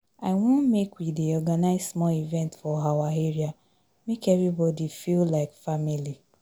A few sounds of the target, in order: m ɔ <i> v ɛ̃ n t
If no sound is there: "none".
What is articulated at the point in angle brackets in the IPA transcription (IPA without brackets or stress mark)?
i